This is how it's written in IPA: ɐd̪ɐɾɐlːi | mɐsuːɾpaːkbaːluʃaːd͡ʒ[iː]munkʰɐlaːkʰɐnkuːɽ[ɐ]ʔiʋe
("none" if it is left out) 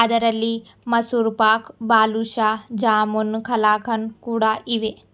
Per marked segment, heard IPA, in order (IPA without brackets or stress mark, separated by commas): aː, a